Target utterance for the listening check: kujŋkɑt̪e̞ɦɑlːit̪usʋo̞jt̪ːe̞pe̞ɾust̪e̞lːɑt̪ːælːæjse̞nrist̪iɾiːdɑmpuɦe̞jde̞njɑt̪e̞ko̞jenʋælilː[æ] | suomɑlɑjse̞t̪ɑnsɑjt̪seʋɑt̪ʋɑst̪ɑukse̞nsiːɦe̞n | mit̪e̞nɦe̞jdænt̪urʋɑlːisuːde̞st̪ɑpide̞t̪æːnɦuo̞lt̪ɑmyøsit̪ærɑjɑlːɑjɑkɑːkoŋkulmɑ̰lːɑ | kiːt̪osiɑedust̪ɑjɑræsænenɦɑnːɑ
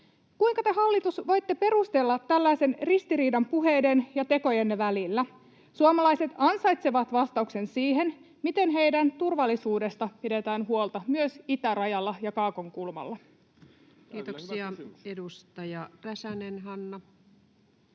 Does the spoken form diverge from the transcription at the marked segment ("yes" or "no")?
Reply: no